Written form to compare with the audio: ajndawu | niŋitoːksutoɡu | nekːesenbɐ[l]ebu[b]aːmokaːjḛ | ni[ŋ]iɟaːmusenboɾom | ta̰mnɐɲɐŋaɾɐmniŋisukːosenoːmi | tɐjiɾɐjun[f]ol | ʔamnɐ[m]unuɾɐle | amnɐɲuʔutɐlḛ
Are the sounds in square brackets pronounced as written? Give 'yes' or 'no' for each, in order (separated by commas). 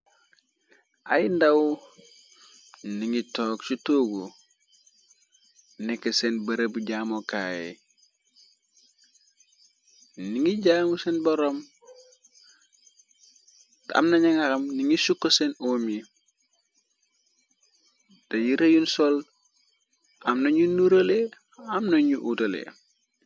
no, no, yes, no, no